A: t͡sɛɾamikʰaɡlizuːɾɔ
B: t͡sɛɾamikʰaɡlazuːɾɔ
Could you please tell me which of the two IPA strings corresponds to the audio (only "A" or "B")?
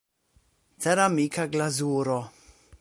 B